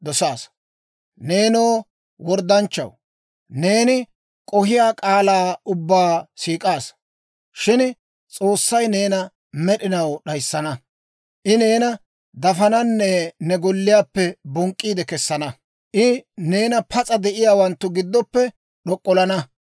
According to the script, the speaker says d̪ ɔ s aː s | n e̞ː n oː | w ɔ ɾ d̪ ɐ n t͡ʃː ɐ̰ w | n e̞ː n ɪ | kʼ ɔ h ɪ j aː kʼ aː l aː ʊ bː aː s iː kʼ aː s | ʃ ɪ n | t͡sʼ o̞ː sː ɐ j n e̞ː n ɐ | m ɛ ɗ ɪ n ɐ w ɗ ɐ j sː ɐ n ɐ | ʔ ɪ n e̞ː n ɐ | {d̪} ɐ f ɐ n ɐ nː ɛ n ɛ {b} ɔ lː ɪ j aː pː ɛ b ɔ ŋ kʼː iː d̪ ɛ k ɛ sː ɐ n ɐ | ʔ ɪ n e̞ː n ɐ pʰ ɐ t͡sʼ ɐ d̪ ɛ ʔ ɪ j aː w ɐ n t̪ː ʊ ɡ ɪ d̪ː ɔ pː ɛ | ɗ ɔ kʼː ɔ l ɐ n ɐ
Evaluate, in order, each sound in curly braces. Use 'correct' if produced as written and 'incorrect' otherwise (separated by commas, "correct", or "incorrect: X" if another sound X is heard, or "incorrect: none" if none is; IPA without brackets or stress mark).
correct, incorrect: ɡ